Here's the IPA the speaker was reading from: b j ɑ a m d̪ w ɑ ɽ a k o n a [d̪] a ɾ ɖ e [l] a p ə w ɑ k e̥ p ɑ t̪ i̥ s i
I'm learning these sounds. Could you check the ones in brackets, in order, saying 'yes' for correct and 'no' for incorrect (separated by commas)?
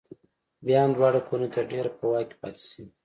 no, no